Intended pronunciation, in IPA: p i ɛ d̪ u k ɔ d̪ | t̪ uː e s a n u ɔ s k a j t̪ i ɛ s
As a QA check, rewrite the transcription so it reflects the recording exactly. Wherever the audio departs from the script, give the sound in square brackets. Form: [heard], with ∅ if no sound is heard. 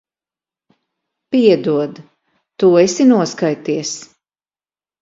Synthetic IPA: p i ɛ d̪ u [∅] ɔ d̪ | t̪ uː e s [i] n u ɔ s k a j t̪ i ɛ s